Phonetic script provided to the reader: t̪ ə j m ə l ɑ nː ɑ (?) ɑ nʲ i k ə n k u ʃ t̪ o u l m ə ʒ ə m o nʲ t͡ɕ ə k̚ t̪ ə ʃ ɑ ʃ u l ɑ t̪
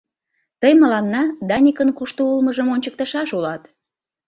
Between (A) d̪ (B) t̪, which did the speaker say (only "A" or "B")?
A